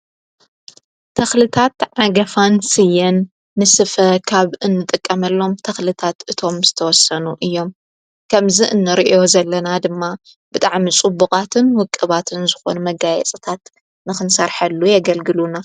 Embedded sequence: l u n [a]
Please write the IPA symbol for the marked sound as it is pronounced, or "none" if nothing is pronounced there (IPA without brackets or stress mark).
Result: a